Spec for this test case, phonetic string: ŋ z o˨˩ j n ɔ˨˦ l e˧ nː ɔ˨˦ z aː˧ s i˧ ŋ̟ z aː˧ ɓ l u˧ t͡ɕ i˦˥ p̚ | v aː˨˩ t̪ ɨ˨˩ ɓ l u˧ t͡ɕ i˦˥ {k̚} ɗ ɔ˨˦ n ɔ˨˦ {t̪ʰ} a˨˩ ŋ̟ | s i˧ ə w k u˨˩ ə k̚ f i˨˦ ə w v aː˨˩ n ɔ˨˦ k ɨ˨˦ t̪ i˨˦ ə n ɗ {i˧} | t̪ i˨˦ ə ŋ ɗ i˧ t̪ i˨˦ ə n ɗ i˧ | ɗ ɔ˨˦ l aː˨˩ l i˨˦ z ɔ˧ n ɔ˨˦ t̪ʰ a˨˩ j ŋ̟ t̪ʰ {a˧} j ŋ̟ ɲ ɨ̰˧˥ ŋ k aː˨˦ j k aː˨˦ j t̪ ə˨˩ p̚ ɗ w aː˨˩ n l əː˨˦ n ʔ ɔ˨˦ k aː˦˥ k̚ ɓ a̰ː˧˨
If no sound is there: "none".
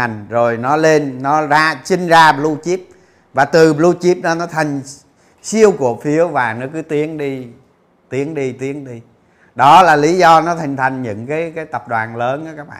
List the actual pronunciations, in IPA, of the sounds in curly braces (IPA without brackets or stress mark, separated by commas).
p̚, t̪ʰ, i˧, a˨˩